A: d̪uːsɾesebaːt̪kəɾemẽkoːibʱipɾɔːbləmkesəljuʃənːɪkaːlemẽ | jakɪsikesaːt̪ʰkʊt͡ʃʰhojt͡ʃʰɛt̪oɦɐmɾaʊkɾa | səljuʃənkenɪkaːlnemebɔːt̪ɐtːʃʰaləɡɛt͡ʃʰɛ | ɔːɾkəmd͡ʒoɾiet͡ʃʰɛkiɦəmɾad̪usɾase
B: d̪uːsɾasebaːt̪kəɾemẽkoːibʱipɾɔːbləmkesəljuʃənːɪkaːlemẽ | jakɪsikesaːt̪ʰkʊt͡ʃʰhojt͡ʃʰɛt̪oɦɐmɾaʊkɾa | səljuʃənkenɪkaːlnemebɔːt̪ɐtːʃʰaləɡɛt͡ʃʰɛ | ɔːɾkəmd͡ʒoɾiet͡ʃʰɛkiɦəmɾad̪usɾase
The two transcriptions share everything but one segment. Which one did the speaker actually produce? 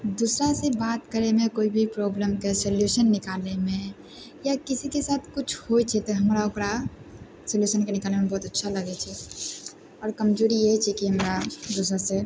B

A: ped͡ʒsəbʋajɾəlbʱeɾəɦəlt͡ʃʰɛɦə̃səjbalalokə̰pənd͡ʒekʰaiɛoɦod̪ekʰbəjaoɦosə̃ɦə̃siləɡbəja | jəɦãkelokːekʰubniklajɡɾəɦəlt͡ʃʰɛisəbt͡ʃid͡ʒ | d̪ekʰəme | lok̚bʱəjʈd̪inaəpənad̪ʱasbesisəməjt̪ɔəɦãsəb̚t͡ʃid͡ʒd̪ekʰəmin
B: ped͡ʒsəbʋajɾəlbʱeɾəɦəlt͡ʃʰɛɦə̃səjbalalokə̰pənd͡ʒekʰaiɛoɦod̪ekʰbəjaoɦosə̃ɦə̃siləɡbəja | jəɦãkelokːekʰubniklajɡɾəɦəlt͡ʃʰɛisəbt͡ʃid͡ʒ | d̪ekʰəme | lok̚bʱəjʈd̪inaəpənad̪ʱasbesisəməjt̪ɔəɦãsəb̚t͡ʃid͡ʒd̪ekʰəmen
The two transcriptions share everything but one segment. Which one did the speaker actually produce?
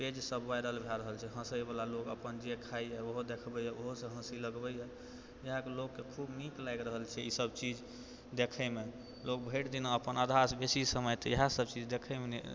B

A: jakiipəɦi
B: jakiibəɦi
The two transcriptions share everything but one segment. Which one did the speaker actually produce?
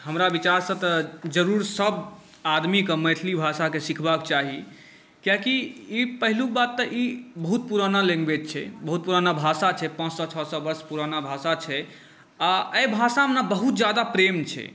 A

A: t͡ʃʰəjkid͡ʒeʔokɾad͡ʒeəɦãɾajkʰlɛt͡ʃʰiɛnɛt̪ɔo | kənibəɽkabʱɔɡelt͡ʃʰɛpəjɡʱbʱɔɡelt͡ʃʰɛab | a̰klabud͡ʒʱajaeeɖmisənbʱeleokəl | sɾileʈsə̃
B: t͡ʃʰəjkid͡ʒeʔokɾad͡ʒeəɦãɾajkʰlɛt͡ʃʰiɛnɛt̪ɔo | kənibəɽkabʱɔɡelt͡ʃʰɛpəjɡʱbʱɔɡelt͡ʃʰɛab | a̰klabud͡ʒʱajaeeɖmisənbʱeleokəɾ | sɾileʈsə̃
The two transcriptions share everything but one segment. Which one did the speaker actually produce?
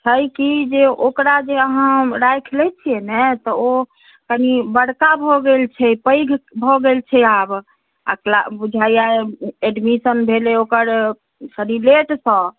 B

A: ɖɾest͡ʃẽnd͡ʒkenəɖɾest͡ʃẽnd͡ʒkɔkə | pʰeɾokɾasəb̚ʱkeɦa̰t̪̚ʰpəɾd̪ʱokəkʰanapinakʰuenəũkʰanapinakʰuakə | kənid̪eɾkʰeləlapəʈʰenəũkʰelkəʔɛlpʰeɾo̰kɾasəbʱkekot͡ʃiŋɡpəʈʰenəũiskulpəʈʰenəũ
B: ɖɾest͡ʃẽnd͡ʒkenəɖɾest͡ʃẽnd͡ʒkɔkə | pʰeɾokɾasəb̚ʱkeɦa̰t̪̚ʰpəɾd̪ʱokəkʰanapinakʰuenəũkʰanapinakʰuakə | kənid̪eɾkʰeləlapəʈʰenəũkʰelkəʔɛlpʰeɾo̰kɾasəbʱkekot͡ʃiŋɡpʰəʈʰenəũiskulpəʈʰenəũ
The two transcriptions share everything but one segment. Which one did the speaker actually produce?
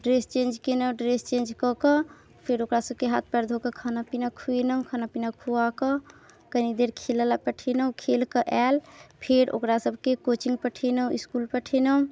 A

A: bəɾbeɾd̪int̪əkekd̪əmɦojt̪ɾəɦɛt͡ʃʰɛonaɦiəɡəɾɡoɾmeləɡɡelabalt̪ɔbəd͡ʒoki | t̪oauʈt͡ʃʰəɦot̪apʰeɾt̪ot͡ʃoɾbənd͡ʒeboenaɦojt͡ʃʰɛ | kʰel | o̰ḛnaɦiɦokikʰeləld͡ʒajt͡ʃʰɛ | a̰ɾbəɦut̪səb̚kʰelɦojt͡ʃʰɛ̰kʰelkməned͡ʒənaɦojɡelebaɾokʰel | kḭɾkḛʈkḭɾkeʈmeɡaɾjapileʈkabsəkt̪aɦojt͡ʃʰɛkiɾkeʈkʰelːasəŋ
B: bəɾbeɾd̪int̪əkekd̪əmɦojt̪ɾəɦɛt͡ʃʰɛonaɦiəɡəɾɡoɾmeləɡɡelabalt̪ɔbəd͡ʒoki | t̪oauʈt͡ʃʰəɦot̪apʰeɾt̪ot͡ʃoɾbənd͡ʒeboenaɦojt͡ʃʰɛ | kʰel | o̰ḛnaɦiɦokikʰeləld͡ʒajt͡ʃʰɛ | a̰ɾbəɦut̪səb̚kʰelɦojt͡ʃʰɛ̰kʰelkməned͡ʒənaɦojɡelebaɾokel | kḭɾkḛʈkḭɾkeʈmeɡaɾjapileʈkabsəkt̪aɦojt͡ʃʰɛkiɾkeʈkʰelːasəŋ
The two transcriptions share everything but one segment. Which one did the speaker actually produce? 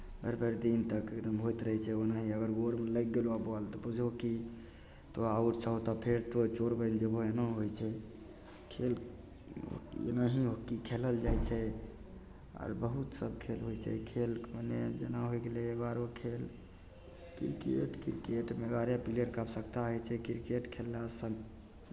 A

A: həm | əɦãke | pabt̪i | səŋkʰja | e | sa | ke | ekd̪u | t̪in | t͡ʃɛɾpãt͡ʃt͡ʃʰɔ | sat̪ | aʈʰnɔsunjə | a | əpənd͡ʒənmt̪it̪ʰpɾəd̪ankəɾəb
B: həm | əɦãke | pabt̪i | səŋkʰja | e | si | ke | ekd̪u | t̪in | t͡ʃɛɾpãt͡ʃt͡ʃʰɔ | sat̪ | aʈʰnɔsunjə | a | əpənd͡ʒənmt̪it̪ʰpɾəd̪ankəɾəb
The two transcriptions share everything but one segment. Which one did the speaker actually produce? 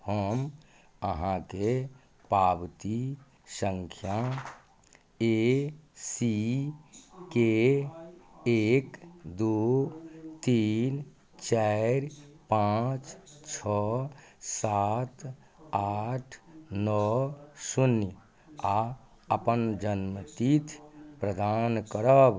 B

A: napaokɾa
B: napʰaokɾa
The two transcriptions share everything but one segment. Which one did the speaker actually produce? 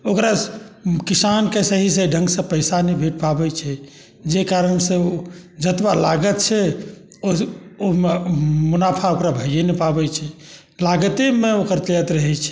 B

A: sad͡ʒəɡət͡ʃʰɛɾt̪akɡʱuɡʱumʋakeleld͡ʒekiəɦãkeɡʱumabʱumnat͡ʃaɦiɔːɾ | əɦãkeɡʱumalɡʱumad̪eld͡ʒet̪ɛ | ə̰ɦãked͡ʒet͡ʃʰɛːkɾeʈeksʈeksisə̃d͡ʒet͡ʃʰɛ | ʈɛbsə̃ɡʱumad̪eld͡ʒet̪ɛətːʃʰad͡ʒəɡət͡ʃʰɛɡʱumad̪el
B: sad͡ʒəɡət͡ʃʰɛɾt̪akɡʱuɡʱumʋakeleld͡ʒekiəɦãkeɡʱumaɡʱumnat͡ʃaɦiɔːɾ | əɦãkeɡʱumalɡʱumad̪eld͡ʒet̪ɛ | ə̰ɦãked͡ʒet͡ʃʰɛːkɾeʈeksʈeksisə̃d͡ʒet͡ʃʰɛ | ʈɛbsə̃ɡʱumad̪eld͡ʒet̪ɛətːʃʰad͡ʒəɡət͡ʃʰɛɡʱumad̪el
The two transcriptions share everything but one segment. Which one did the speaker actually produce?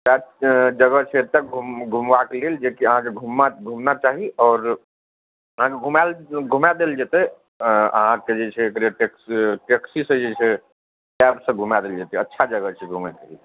B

